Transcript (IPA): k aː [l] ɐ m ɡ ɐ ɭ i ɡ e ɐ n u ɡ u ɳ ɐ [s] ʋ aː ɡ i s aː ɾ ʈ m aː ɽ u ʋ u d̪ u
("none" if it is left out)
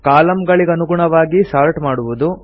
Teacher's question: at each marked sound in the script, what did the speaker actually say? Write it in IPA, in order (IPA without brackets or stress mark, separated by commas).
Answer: l, none